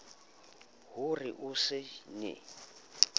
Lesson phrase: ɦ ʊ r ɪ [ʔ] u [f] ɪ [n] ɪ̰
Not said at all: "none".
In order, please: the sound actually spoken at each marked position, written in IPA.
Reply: ʔ, s, n

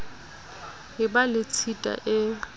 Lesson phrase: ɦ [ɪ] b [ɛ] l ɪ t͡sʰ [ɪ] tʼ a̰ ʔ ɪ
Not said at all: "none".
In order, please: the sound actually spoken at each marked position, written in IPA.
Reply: ɪ, a, i

